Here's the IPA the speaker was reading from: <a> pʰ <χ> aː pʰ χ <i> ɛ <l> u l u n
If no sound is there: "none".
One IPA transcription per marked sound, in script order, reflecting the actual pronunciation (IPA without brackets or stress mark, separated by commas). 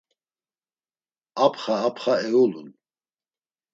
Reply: a, χ, a, none